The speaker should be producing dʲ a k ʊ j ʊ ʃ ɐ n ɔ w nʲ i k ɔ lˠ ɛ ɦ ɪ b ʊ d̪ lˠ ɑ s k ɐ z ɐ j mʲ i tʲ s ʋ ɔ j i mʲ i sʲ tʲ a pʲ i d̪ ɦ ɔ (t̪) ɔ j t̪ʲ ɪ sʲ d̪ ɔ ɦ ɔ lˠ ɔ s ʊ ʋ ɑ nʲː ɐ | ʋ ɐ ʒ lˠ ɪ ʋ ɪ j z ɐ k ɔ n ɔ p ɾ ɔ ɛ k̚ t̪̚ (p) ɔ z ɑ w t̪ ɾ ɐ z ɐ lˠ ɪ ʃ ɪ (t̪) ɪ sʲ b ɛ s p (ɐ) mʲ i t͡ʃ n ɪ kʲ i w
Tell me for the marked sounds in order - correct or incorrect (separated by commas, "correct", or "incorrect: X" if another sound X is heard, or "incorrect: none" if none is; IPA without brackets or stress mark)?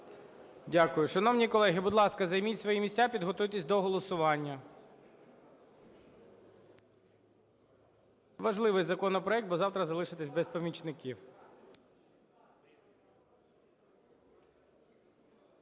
correct, incorrect: b, correct, correct